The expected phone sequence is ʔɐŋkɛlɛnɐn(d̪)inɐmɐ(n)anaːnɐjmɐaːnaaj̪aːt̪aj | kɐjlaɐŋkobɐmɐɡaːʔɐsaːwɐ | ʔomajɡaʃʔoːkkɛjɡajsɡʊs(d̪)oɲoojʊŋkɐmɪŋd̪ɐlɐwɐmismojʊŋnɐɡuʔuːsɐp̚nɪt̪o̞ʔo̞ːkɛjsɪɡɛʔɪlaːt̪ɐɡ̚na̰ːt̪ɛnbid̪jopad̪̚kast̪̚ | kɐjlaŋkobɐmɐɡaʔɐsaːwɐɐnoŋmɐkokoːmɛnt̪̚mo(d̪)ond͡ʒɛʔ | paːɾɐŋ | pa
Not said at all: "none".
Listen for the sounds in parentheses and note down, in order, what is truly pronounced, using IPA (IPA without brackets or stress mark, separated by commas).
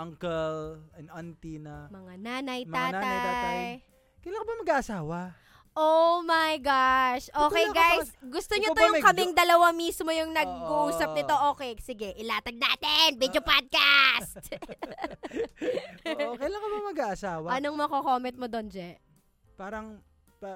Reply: t̪, ŋ, t̪, d̪